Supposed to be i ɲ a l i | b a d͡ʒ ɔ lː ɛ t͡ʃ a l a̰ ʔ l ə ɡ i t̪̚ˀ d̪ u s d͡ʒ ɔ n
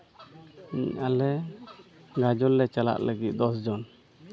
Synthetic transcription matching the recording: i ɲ a l ɛ | ɡ a d͡ʒ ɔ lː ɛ t͡ʃ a l a̰ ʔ l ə ɡ i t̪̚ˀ d̪ ɔ s d͡ʒ ɔ n

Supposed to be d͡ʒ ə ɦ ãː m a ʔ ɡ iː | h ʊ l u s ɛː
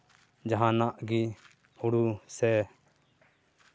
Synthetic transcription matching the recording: d͡ʒ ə ɦ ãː n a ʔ ɡ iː | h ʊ ɽ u s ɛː

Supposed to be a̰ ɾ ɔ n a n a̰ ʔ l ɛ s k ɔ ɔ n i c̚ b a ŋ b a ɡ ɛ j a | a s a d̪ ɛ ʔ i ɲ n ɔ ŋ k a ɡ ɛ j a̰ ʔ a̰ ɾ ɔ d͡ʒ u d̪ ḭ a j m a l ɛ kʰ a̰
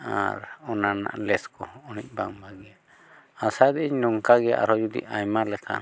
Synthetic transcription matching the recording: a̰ ɾ ɔ n a n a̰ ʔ l ɛ s k ɔ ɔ n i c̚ b a ŋ b a ɡ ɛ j a | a s a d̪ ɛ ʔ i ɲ n ɔ ŋ k a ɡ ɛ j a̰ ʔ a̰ ɾ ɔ d͡ʒ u d̪ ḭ a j m a l ɛ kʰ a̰

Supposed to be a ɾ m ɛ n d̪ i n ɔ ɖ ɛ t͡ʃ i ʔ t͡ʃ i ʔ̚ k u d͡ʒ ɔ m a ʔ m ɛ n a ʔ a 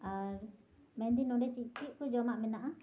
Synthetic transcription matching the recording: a ɾ m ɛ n d̪ i n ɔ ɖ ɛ t͡ʃ i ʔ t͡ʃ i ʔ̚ k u d͡ʒ ɔ m a ʔ m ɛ n a ʔ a

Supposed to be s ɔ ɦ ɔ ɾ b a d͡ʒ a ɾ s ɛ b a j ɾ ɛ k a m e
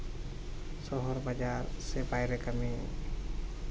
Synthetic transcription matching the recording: s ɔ ɦ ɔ ɾ b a d͡ʒ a ɾ s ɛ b a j ɾ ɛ k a m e

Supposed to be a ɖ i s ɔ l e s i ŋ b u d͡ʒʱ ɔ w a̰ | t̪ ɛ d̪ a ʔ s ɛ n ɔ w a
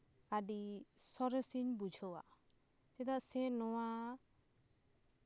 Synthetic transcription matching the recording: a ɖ i s ɔ ɾ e s i ɲ b u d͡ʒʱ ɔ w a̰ | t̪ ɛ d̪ a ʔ s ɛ n ɔ w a

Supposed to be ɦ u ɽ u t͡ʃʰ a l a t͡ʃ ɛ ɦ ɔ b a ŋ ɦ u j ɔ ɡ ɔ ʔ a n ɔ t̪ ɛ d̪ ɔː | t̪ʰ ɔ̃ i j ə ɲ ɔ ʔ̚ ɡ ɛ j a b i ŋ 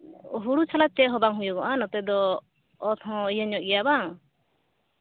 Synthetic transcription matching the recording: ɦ u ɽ u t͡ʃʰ a l a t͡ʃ ɛ ɦ ɔ b a ŋ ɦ u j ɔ ɡ ɔ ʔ a n ɔ t̪ ɛ d̪ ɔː | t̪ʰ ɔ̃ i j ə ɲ ɔ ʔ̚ ɡ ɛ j a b a ŋ

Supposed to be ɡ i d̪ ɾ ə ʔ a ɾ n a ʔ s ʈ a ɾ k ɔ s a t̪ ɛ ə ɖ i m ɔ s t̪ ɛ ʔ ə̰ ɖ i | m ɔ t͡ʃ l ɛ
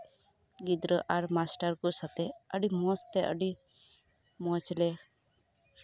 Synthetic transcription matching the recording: ɡ i d̪ ɾ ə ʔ a ɾ m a s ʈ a ɾ k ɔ s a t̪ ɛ ə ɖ i m ɔ s t̪ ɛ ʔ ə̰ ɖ i | m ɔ t͡ʃ l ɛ

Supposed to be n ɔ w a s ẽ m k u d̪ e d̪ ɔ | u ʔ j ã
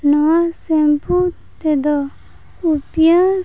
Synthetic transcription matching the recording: n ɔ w a s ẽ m p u t̪ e d̪ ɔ | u p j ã

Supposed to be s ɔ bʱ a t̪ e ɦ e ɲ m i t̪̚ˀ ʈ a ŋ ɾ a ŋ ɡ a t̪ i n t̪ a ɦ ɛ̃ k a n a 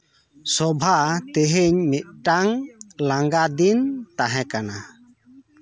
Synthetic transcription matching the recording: s ɔ bʱ a t̪ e ɦ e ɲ m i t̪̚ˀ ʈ a ŋ l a ŋ ɡ a d̪ i n t̪ a ɦ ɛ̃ k a n a

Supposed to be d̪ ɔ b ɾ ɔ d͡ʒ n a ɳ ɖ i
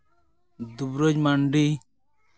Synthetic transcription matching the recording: d̪ u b ɾ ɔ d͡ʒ m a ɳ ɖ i

